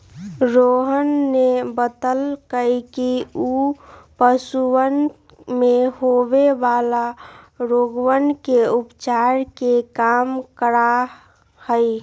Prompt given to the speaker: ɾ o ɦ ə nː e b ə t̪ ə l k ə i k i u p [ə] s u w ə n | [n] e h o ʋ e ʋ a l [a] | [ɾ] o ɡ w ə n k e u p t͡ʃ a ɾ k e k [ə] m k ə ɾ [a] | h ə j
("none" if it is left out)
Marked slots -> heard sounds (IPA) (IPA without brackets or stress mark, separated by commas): ə, m, a, ɾ, a, a